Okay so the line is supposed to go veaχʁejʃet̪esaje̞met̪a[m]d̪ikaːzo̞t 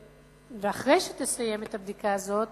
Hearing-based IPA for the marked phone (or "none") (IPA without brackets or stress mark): b